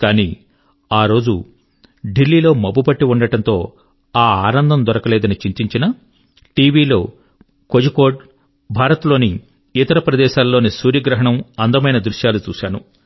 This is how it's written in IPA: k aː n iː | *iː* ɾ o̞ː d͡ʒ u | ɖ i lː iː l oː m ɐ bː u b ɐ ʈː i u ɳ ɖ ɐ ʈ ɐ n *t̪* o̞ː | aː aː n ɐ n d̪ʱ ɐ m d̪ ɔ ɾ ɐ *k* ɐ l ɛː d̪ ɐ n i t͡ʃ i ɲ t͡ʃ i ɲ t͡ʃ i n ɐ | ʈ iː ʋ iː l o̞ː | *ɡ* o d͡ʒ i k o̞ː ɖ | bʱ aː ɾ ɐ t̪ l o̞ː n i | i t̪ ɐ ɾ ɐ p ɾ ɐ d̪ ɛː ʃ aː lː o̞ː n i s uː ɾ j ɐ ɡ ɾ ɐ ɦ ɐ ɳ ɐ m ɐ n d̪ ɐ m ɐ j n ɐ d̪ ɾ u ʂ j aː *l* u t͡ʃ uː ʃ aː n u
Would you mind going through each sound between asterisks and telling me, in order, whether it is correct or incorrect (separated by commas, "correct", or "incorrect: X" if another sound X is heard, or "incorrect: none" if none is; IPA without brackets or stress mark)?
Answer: incorrect: aː, correct, correct, incorrect: k, correct